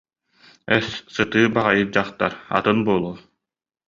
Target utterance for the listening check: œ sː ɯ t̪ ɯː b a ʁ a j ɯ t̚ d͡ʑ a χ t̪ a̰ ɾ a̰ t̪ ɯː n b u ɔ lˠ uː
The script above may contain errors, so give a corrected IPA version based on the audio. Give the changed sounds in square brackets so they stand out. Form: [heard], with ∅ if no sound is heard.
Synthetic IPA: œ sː ɯ t̪ ɯː b a ʁ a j ɯ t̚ d͡ʑ a χ t̪ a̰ ɾ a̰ t̪ [ɯ] n b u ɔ lˠ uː